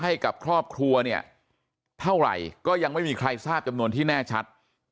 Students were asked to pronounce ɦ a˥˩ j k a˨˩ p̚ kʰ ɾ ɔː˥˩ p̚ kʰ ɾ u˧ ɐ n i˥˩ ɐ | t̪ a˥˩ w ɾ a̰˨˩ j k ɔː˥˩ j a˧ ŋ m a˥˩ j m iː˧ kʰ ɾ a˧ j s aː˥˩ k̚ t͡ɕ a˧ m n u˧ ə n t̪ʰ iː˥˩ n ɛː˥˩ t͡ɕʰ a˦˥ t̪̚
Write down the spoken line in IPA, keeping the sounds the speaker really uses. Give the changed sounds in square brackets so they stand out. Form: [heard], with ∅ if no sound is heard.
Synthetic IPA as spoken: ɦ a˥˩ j k a˨˩ p̚ kʰ ɾ ɔː˥˩ p̚ kʰ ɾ u˧ ɐ n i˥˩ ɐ | [t̪ʰ] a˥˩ w ɾ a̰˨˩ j k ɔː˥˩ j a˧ ŋ m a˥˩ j m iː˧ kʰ ɾ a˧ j s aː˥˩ [p̚] t͡ɕ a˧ m n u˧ ə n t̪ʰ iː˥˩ n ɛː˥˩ t͡ɕʰ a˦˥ t̪̚

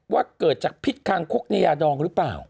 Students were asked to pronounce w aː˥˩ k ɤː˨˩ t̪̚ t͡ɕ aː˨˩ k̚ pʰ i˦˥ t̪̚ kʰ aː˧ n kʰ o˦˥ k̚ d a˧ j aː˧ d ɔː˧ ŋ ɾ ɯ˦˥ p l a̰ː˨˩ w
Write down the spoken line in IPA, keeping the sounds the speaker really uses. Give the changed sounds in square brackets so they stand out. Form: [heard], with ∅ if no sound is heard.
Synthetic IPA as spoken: w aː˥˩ k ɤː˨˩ t̪̚ t͡ɕ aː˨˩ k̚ pʰ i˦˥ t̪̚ kʰ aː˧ [ŋ] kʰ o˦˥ k̚ [n] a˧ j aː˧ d ɔː˧ ŋ ɾ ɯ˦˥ p l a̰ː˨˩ w

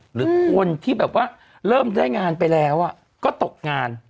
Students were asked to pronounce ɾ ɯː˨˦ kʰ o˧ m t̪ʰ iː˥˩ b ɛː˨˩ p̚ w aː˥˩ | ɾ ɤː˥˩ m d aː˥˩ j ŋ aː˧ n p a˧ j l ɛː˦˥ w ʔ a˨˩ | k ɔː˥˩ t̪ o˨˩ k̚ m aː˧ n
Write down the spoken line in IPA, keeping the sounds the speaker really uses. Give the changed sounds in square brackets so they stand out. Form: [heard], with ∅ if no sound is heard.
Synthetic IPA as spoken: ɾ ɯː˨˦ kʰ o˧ [n] t̪ʰ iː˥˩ b ɛː˨˩ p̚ w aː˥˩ | ɾ ɤː˥˩ m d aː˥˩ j ŋ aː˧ n p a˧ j l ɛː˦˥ w ʔ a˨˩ | k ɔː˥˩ t̪ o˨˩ k̚ [ŋ] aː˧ n

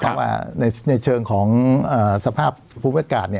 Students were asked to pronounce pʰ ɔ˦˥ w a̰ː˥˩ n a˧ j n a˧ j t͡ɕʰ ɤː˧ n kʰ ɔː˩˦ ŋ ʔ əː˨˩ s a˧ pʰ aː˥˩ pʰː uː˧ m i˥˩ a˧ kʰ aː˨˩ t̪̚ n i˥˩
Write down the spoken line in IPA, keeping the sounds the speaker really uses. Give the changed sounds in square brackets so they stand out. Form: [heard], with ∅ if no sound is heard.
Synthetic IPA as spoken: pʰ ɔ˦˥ w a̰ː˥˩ n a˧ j n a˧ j t͡ɕʰ ɤː˧ [ŋ] kʰ ɔː˩˦ ŋ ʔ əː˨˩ s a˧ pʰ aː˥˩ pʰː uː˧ m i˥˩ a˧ [k] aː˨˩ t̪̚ n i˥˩

